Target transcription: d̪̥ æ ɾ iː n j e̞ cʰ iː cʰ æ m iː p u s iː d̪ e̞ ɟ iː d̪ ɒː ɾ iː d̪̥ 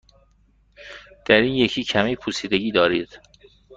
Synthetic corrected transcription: d̪̥ æ ɾ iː n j e̞ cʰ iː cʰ æ m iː pʰ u s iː d̪ e̞ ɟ iː d̪ ɒː ɾ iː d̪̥

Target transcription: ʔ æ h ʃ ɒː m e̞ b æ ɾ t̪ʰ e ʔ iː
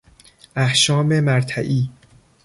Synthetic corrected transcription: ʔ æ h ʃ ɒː m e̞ m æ ɾ t̪ʰ æ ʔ iː

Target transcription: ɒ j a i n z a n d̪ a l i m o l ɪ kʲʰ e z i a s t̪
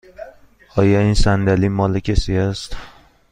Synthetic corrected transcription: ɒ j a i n s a n d̪ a l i m ɒ l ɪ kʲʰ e s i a s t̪

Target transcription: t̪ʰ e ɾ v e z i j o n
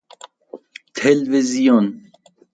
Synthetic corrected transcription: t̪ʰ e l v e z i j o n

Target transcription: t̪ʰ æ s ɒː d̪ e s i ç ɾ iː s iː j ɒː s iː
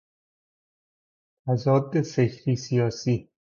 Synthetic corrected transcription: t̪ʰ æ z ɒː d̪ e s e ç ɾ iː s i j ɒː s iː

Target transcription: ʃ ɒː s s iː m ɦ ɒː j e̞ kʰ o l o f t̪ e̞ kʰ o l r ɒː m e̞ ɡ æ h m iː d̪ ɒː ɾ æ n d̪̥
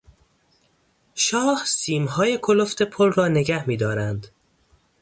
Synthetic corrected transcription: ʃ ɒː h s iː m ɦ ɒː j e̞ kʰ o l o f t̪ e̞ pʰ o l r ɒː n e̞ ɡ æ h m iː d̪ ɒː ɾ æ n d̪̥

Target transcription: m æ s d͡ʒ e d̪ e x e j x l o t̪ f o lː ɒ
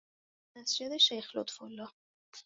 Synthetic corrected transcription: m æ s d͡ʒ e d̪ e ʃ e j x l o t̪ f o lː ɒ

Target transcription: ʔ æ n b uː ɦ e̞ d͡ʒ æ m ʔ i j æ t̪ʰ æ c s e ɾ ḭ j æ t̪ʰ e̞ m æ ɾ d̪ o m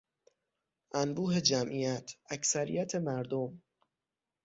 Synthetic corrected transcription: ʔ æ n b uː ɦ e̞ d͡ʒ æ m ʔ i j æ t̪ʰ æ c s æ ɾ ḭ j æ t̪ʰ e̞ m æ ɾ d̪ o m

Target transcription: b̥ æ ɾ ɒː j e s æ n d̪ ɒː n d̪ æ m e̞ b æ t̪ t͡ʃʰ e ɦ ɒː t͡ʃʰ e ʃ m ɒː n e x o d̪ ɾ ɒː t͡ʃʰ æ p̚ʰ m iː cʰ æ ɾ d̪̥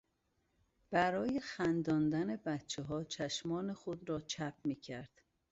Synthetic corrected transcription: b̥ æ ɾ ɒː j e x æ n d̪ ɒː n d̪ æ n e̞ b æ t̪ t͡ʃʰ e ɦ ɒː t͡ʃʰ æ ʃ m ɒː n e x o d̪ ɾ ɒː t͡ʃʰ æ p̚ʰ m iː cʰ æ ɾ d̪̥

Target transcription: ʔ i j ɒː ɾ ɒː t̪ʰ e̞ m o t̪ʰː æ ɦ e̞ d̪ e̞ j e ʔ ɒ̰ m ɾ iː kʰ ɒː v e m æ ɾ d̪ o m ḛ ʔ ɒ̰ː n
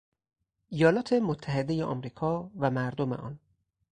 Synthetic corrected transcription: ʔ i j ɒː l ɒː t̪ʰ e̞ m o t̪ʰː æ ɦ e̞ d̪ e̞ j e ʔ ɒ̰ m ɾ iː kʰ ɒː v æ m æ ɾ d̪ o m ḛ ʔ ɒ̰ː n

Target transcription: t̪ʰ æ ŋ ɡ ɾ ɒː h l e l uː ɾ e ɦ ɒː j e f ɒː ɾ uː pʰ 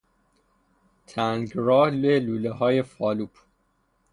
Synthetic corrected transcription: t̪ʰ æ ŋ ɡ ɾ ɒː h l e l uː l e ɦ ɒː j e f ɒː l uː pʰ

